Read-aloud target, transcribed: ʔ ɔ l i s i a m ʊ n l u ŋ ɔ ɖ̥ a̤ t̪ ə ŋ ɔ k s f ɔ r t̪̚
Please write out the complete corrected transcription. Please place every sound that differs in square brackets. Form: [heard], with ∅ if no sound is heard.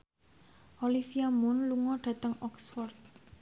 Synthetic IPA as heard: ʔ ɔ l i [f] i a m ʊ n l u ŋ ɔ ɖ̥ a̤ t̪ ə ŋ ɔ k s f ɔ r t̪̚